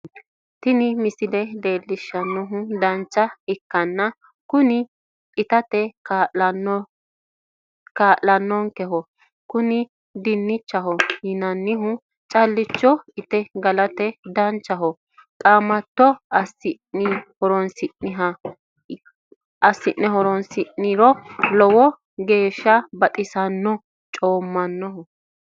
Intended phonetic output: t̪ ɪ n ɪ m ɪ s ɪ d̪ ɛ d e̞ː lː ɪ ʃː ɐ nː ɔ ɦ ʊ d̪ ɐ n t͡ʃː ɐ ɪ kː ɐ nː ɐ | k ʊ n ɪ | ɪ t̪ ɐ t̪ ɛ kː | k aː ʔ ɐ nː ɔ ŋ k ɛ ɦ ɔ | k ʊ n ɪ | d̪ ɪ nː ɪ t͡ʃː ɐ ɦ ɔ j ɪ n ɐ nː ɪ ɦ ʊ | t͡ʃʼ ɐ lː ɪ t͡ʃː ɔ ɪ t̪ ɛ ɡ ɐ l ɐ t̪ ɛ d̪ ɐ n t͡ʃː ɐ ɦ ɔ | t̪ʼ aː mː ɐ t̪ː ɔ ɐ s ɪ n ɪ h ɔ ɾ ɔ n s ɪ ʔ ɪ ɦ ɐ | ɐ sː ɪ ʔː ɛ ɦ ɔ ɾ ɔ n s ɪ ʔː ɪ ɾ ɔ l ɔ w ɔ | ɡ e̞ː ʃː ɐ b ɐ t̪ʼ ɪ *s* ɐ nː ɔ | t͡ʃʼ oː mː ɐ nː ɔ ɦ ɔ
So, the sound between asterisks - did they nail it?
yes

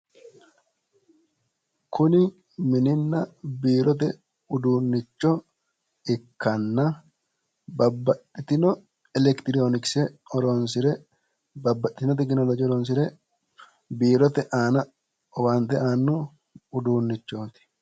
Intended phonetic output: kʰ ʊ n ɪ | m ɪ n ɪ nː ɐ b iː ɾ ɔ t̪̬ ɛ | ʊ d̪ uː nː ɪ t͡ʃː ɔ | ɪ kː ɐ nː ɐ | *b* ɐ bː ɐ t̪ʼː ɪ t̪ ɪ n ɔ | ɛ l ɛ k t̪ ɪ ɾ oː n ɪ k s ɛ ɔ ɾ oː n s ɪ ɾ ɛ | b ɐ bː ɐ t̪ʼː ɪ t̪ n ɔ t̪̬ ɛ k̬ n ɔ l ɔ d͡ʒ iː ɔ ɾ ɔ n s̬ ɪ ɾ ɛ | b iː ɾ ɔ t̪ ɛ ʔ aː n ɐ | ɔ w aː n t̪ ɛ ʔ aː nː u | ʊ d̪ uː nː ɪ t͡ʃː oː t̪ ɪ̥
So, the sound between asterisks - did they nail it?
yes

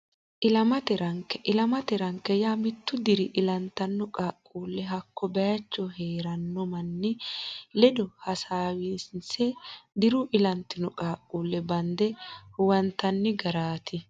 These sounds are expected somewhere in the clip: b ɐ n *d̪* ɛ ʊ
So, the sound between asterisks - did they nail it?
yes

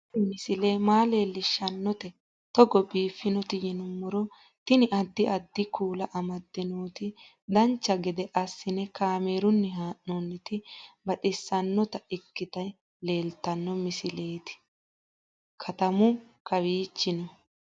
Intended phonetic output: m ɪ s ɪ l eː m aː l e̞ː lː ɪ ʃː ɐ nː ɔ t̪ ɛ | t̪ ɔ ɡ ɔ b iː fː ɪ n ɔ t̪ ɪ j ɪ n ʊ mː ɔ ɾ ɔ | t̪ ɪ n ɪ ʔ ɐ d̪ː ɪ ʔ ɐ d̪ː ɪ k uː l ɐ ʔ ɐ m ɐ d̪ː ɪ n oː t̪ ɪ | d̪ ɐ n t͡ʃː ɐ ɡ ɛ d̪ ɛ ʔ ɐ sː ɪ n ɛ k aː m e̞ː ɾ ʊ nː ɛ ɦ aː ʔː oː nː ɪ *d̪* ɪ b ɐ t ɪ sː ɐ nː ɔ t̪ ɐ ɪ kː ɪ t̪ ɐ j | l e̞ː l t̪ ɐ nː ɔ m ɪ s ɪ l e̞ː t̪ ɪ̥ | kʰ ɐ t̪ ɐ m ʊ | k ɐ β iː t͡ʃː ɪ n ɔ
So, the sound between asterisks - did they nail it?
no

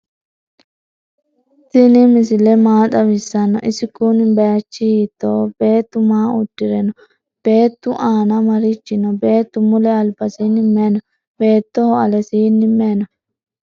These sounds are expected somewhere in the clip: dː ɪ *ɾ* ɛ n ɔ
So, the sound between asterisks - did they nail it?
yes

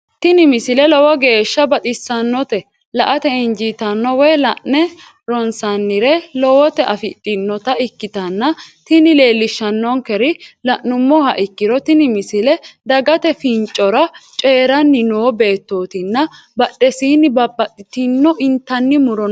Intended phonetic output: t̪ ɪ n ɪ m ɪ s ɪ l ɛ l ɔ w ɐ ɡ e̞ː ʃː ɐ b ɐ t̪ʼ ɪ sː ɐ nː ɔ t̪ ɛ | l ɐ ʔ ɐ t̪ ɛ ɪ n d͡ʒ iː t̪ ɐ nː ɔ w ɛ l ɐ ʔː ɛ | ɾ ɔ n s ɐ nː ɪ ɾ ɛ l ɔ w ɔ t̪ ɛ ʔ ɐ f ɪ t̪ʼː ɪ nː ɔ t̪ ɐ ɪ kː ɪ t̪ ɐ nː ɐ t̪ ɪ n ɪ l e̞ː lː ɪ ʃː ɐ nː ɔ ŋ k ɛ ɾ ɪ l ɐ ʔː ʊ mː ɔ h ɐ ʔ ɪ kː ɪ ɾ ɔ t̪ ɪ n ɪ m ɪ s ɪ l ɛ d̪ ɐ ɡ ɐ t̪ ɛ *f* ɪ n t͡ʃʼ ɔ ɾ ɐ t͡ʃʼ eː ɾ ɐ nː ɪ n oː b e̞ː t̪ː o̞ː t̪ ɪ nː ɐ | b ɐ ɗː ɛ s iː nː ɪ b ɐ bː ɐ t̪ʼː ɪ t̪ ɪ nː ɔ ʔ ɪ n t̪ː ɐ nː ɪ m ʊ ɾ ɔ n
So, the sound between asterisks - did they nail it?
yes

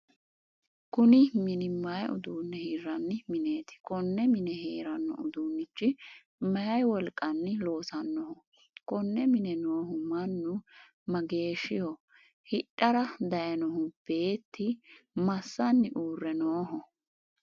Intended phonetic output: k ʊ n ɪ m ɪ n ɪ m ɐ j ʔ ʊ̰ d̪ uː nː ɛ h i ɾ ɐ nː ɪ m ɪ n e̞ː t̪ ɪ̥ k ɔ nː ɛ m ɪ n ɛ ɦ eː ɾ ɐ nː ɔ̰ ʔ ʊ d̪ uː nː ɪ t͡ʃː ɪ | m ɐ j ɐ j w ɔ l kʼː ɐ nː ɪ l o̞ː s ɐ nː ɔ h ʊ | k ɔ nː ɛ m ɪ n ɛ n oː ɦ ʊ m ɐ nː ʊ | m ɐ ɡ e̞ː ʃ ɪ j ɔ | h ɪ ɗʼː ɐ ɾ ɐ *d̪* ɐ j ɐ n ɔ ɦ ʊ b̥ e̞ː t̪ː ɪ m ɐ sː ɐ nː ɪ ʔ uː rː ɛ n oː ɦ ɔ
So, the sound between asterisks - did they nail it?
yes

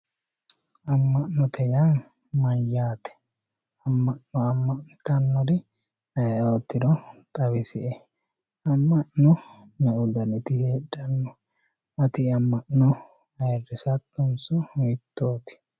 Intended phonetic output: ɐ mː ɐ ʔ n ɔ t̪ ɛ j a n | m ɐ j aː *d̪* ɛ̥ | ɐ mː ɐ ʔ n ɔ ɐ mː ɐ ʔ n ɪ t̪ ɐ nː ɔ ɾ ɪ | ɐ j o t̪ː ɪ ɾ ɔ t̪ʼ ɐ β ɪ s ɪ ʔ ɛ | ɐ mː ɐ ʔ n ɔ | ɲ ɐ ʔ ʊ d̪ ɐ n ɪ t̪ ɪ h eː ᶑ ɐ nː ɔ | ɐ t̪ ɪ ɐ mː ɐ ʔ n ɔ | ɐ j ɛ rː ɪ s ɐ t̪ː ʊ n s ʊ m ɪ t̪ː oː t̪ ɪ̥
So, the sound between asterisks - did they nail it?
no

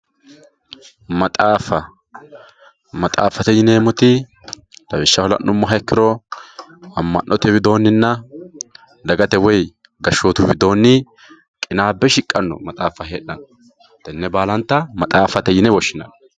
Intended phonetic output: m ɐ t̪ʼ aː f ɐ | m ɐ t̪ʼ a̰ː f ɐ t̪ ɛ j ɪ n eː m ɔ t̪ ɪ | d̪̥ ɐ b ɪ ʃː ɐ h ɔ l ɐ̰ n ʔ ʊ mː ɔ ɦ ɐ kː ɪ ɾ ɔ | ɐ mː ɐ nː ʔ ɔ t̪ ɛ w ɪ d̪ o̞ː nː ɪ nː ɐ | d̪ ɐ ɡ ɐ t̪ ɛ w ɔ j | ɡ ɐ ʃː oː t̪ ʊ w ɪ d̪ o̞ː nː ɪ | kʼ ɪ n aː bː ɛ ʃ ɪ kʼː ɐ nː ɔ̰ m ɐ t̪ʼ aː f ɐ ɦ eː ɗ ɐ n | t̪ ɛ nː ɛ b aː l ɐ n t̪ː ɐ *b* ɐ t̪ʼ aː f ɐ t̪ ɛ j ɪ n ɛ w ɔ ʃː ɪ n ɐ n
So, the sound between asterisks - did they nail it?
no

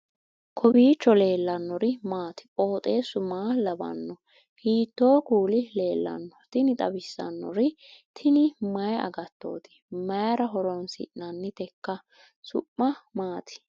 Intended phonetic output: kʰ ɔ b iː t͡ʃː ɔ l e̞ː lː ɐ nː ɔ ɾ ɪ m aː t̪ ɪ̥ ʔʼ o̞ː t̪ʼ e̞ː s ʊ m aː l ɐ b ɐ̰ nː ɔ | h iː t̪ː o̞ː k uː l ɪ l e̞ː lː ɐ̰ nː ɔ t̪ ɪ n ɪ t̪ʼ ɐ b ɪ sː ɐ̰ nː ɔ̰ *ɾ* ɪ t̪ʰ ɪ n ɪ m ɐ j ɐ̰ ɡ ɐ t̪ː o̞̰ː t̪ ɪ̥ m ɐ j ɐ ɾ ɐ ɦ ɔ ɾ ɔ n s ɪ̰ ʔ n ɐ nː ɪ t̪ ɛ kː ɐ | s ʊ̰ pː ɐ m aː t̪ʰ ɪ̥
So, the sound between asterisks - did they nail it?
yes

